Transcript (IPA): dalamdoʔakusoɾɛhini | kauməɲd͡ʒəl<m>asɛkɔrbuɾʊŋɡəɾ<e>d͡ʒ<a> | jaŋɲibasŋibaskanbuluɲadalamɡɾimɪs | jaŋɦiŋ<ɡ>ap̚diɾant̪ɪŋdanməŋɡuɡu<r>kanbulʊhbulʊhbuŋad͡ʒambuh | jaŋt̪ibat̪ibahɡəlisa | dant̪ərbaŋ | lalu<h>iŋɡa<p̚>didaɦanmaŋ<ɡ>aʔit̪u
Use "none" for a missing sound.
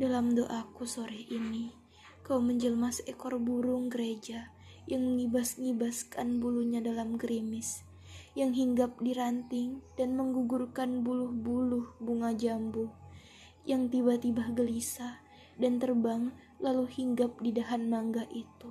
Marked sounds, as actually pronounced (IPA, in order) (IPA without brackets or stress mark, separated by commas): m, e, a, ɡ, r, h, p̚, ɡ